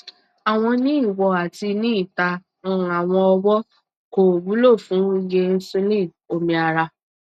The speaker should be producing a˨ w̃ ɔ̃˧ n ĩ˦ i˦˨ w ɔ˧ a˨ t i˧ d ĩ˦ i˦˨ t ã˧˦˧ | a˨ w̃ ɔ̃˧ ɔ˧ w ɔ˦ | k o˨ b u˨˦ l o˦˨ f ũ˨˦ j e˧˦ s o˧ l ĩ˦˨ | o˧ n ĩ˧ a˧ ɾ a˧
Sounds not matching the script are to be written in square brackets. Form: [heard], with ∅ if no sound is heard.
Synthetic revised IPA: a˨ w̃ ɔ̃˧ n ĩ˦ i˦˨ w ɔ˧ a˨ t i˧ [n] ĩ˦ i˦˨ t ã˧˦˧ | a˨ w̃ ɔ̃˧ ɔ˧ w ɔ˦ | k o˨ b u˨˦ l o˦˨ f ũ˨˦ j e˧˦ s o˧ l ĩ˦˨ | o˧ [m] ĩ˧ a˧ ɾ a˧

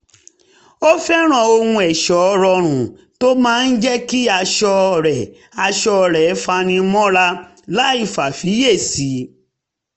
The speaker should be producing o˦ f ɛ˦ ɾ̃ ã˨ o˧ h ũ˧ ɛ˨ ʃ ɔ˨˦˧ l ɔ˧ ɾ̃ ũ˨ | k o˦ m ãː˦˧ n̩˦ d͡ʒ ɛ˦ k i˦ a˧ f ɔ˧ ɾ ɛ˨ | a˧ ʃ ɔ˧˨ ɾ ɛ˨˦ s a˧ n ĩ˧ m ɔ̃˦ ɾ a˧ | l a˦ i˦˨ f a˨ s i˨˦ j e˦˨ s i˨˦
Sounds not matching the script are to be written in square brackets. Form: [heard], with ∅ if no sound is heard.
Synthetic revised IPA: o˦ f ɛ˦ ɾ̃ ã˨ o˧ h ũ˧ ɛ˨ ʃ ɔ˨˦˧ [ɾ] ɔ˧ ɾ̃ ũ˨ | [t] o˦ m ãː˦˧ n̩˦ d͡ʒ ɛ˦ k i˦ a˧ [ʃ] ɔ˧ ɾ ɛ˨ | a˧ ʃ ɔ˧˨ ɾ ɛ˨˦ [f] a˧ n ĩ˧ m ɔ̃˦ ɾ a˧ | l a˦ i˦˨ f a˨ [f] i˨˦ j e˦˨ s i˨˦

